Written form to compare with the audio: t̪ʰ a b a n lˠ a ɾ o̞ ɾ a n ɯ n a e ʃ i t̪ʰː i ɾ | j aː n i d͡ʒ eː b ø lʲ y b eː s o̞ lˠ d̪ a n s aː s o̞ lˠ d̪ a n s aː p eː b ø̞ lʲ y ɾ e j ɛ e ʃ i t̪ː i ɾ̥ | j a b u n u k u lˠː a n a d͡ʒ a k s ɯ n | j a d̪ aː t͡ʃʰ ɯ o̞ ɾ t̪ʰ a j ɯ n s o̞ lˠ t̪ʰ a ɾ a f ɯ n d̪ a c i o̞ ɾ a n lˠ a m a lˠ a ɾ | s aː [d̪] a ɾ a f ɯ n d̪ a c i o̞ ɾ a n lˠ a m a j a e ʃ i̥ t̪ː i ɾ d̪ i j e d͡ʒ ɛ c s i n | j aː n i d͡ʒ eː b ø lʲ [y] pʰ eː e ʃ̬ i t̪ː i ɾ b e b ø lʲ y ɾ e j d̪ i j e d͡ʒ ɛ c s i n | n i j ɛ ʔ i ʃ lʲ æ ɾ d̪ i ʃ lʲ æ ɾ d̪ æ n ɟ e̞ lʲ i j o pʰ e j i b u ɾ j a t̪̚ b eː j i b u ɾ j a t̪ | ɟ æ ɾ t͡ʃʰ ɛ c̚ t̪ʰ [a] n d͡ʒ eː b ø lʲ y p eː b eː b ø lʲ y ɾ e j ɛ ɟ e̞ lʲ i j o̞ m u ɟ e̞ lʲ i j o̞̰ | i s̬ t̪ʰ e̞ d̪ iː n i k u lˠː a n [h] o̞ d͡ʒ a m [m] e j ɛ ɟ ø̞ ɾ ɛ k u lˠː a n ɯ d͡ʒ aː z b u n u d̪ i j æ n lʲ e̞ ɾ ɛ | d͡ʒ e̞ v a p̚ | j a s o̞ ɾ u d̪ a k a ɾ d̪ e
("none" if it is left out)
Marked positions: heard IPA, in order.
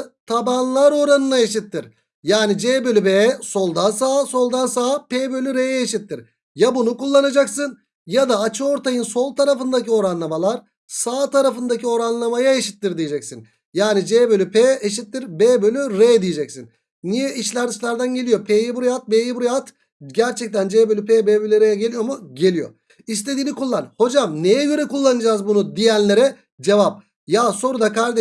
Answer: t̪, y, æ, h, n

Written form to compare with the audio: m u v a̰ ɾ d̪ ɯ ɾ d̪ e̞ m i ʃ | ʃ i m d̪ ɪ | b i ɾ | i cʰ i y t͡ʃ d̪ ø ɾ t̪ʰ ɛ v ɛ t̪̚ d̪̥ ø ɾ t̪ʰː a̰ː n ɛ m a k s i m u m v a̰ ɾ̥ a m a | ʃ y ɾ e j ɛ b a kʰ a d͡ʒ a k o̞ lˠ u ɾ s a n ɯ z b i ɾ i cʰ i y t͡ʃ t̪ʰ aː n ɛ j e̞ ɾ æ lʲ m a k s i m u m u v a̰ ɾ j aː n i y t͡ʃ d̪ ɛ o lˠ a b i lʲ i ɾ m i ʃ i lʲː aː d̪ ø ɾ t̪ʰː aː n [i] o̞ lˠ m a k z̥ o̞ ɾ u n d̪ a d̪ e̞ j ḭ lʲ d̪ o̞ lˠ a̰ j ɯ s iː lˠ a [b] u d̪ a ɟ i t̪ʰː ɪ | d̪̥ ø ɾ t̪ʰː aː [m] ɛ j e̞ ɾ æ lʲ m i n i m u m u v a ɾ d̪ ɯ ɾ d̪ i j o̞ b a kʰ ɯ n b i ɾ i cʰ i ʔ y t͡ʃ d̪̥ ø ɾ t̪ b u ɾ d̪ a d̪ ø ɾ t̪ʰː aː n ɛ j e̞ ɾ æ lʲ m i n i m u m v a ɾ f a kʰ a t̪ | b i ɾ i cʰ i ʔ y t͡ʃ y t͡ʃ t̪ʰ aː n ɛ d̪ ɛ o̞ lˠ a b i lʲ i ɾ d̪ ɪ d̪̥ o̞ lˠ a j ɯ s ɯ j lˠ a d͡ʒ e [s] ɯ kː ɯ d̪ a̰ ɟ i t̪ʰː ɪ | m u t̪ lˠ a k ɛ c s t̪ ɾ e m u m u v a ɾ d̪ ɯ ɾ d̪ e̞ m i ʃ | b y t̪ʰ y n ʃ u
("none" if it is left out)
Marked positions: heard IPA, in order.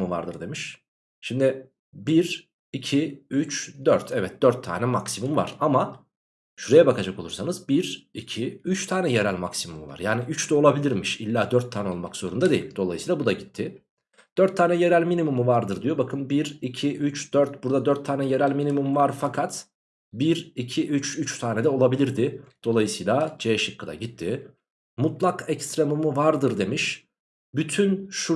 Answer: ɛ, b, n, ʃ

